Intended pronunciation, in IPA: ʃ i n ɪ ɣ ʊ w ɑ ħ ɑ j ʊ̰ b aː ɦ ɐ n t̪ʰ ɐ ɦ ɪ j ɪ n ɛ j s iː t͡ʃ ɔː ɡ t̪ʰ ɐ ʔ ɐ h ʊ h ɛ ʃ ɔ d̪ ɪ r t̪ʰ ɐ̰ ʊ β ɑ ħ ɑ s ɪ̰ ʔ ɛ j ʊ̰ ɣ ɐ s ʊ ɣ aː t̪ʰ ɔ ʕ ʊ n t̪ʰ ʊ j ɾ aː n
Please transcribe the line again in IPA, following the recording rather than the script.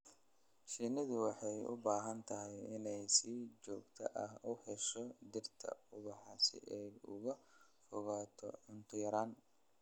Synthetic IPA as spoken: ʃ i n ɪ ð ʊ w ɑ ħ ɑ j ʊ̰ b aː ɦ ɐ n t̪ʰ ɐ ɦ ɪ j ɪ n ɛ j s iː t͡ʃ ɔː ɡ t̪ʰ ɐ ʔ ɐ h ʊ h ɛ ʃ ɔ d̪ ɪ r t̪ʰ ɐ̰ ʊ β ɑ ħ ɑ s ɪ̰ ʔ ɛ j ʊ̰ ɣ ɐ f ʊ ɣ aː t̪ʰ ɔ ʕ ʊ n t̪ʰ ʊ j ɾ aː n